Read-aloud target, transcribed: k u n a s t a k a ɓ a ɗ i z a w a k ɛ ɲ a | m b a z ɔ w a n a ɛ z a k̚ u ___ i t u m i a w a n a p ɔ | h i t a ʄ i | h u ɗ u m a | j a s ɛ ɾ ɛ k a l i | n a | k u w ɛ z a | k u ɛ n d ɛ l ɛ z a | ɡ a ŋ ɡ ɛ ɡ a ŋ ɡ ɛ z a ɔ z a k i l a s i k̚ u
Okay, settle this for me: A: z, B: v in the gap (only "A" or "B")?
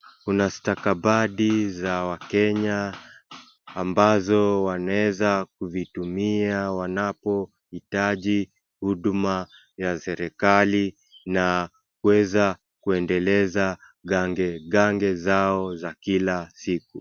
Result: B